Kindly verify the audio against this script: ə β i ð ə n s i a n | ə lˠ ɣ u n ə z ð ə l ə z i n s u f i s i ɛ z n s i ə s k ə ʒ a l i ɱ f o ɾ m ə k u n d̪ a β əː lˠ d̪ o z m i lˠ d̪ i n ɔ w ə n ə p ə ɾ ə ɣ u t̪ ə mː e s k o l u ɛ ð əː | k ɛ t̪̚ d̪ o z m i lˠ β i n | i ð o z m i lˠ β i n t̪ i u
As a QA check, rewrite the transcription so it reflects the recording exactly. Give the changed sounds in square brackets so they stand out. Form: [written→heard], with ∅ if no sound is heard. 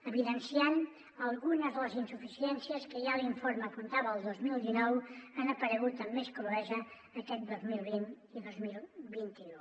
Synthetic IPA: ə β i ð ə n s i a n | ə lˠ ɣ u n ə z ð ə l ə z i n s u f i s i ɛ [z→∅] n s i ə s k ə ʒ a l i ɱ f o ɾ m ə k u n [d̪→t̪] a β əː lˠ d̪ o z m i lˠ d̪ i n ɔ w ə n ə p ə ɾ ə ɣ u t̪ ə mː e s k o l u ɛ [ð→z] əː | k ɛ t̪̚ d̪ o z m i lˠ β i n | i ð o z m i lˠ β i n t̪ i u